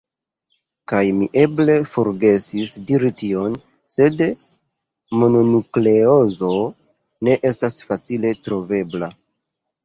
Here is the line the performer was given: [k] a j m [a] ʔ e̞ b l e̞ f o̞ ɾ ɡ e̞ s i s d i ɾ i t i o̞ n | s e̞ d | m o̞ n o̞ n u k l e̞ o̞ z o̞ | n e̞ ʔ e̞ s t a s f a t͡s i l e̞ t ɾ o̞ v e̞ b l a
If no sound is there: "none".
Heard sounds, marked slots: k, i

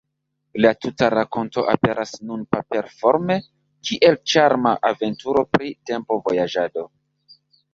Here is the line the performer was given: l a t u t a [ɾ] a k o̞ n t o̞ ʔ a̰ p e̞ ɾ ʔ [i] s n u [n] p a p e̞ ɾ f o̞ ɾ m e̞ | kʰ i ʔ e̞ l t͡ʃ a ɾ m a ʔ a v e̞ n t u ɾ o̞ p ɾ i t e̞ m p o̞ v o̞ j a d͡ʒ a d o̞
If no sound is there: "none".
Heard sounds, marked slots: ɾ, a, n

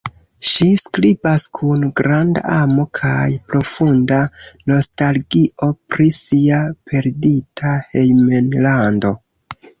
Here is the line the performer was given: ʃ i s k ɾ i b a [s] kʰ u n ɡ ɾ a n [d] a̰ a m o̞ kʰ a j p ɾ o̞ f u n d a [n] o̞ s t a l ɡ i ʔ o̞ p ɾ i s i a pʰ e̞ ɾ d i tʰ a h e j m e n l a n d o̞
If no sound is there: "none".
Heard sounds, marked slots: s, d, n

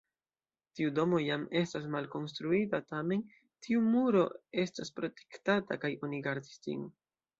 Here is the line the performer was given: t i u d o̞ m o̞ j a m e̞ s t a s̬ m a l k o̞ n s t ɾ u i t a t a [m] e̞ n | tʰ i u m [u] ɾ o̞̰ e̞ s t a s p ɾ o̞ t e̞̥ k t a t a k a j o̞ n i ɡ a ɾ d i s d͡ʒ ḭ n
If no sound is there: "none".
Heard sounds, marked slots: m, u

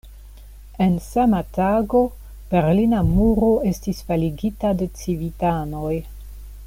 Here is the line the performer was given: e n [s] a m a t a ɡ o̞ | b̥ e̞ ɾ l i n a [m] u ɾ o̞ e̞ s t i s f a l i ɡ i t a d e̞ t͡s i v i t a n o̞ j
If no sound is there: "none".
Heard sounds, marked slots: s, m

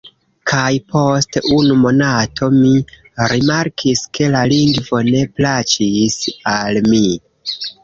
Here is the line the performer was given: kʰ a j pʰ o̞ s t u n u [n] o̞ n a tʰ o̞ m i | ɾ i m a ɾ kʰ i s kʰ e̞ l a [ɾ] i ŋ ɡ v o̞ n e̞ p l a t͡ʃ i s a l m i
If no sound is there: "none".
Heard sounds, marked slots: m, l

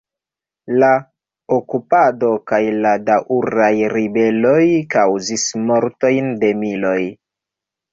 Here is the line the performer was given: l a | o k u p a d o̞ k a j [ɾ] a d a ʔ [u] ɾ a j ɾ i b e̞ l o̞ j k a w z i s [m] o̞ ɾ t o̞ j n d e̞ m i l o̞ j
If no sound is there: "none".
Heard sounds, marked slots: l, u, m

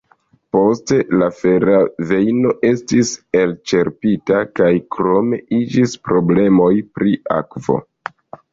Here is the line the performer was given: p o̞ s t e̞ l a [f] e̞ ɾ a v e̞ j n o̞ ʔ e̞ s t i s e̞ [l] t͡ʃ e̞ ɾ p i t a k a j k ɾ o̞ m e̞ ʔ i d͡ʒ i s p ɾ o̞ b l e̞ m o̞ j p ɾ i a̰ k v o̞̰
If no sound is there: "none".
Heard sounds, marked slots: f, l

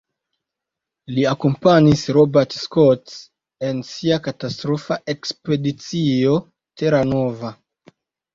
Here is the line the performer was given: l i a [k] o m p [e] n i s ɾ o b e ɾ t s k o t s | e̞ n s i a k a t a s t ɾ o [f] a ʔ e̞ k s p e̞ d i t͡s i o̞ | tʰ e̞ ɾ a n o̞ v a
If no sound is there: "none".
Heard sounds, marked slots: k, a, f

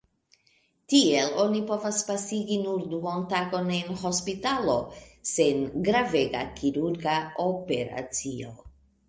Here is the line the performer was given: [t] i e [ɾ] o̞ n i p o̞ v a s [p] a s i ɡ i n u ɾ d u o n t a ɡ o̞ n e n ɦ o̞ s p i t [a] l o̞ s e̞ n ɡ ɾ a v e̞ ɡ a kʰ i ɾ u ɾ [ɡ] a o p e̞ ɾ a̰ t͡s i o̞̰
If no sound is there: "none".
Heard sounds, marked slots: t, l, p, a, ɡ

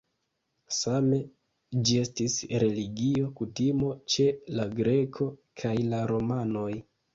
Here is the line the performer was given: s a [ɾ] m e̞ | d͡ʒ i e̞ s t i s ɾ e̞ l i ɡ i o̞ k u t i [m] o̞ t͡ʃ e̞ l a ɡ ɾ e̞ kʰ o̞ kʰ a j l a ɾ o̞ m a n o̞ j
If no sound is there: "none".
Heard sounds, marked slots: none, m

